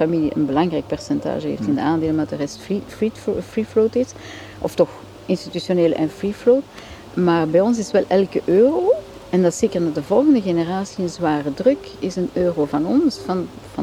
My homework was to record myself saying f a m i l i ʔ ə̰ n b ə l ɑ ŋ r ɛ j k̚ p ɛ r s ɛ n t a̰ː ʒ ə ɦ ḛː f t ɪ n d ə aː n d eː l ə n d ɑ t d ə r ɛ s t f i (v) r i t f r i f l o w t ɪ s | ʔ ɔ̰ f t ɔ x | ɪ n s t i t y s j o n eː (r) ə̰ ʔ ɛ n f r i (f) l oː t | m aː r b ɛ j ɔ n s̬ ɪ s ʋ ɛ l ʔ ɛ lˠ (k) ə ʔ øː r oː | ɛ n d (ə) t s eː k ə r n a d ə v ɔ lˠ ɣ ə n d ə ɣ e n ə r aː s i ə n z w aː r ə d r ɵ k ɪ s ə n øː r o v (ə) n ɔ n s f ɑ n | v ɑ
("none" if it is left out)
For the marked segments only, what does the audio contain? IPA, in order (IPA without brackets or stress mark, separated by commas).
f, l, f, k, ɑ, ɑ